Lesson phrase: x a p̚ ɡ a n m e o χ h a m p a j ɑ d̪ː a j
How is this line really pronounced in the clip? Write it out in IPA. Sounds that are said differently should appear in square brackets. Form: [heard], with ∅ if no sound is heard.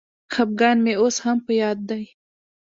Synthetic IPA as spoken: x a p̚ ɡ [ɑ] n m e o [s] h a m p [ə] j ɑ d̪ː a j